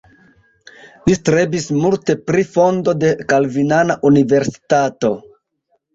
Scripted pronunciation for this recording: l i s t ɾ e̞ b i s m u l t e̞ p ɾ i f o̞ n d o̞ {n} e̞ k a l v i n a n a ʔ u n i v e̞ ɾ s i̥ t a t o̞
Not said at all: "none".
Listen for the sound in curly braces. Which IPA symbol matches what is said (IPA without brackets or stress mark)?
d